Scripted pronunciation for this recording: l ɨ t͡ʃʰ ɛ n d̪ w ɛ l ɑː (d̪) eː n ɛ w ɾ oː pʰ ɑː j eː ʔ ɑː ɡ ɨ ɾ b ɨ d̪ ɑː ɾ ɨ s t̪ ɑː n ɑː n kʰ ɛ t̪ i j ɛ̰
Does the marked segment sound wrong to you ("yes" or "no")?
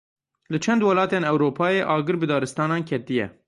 yes